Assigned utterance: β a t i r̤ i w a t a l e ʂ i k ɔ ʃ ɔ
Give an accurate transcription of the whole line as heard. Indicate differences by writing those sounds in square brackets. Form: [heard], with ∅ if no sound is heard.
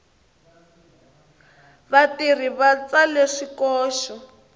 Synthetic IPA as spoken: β a t i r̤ i [β] a [t͡s] a l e ʂ i k [ɔː] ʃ ɔ